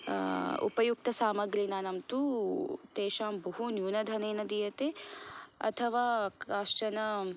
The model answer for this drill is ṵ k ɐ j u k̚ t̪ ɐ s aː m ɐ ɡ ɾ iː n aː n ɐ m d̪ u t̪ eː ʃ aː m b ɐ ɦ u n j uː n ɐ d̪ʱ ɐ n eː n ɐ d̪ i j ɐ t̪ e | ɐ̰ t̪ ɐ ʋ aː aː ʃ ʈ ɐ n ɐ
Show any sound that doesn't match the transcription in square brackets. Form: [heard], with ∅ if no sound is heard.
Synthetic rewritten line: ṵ [p] ɐ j u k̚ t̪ ɐ s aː m ɐ ɡ ɾ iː n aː n ɐ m [t̪] u t̪ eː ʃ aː m b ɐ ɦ u n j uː n ɐ d̪ʱ ɐ n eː n ɐ d̪ i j ɐ t̪ e | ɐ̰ [t̪ʰ] ɐ ʋ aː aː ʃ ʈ ɐ n ɐ

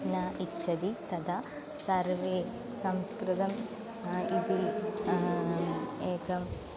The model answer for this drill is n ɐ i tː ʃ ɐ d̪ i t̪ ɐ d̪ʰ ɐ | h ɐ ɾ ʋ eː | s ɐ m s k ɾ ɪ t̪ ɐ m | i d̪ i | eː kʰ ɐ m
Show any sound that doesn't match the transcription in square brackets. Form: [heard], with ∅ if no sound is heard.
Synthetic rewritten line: n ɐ i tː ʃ ɐ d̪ i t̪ ɐ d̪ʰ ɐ | [s] ɐ ɾ ʋ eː | s ɐ m s k ɾ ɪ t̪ ɐ m | i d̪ i | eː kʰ ɐ m

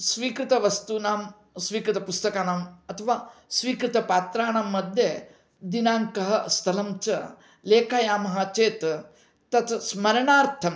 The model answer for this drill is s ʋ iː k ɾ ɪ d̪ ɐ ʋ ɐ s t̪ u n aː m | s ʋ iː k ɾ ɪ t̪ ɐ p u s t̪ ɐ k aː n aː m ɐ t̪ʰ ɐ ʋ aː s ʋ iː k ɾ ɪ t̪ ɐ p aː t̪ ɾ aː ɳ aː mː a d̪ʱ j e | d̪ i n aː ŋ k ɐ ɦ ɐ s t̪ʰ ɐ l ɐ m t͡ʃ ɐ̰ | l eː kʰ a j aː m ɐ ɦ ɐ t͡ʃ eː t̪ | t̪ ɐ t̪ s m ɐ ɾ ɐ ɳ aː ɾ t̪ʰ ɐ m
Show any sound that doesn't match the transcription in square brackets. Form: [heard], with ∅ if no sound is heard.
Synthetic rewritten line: s ʋ iː k ɾ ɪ [t̪] ɐ ʋ ɐ s t̪ u n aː m | s ʋ iː k ɾ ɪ t̪ ɐ p u s t̪ ɐ k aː n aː m ɐ t̪ʰ ɐ ʋ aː s ʋ iː k ɾ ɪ t̪ ɐ p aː t̪ ɾ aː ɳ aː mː [ɐ] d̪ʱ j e | d̪ i n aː ŋ k ɐ ɦ ɐ s t̪ʰ ɐ l ɐ m t͡ʃ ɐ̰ | l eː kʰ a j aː m ɐ ɦ ɐ t͡ʃ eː t̪ | t̪ ɐ t̪ s m ɐ ɾ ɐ ɳ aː ɾ t̪ʰ ɐ m

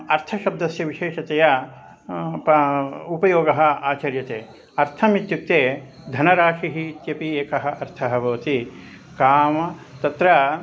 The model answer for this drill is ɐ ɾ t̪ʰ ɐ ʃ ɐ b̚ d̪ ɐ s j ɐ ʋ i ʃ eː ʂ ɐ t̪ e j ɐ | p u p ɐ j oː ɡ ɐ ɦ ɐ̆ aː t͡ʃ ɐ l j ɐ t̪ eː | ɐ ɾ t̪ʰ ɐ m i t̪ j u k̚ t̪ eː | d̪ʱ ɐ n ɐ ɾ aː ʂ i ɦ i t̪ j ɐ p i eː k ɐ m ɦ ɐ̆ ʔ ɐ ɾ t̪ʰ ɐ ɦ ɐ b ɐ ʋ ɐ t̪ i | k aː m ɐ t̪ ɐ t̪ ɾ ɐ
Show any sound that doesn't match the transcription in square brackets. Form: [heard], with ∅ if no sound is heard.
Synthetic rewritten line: ɐ ɾ t̪ʰ ɐ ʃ ɐ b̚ d̪ ɐ s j ɐ ʋ i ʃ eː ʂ ɐ t̪ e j ɐ | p u p ɐ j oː ɡ ɐ ɦ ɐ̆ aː t͡ʃ ɐ [ɾ] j ɐ t̪ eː | ɐ ɾ t̪ʰ ɐ m i t̪ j u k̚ t̪ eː | d̪ʱ ɐ n ɐ ɾ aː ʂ i ɦ i t̪ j ɐ p i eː k ɐ [∅] ɦ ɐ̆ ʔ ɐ ɾ t̪ʰ ɐ ɦ ɐ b ɐ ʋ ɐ t̪ i | k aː m ɐ t̪ ɐ t̪ ɾ ɐ

